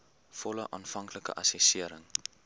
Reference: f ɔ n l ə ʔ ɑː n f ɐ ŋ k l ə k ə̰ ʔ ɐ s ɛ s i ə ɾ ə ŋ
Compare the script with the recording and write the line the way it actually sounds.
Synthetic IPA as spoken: f ɔ l ə ʔ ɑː n f ɐ ŋ k l ə k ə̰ ʔ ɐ s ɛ s i ə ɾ ə ŋ